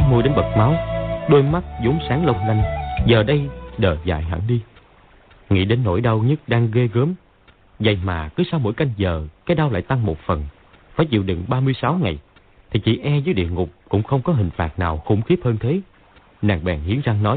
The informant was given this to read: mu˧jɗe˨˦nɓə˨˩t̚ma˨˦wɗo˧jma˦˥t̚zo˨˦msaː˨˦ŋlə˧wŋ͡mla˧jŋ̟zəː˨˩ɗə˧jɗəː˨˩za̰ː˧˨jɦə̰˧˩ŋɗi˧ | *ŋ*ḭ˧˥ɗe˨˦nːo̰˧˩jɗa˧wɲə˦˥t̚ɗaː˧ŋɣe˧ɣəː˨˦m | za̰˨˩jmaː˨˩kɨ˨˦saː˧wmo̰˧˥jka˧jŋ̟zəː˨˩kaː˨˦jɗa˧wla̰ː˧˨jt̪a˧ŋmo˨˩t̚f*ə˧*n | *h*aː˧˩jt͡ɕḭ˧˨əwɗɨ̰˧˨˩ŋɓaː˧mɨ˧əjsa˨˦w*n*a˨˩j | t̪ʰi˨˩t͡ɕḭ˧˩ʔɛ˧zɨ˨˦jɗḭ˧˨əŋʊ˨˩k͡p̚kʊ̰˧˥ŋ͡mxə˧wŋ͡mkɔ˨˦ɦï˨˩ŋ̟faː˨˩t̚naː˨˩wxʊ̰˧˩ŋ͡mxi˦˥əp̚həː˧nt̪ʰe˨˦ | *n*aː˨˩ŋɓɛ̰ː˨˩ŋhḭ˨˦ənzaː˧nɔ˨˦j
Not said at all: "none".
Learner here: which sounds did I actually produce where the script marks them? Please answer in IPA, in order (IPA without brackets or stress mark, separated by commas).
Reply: ŋ, ə˨˩, f, ŋ, n